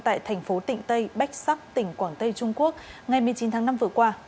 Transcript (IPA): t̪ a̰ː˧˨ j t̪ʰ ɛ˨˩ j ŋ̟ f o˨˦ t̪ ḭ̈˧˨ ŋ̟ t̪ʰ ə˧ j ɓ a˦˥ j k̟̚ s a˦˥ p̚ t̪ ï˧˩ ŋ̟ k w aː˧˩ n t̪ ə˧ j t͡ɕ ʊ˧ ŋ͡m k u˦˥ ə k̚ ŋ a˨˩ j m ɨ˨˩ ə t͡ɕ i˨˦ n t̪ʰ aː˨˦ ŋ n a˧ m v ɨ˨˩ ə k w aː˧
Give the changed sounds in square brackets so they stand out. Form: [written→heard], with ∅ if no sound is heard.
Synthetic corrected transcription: t̪ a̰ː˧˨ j t̪ʰ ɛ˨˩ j ŋ̟ f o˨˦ t̪ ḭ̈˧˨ ŋ̟ [t̪ʰ→t̪] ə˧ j ɓ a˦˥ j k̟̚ s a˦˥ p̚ t̪ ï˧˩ ŋ̟ k w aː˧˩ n t̪ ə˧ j t͡ɕ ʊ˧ ŋ͡m k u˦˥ ə k̚ ŋ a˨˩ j m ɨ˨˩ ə t͡ɕ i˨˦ n t̪ʰ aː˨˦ ŋ n a˧ m v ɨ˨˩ ə k w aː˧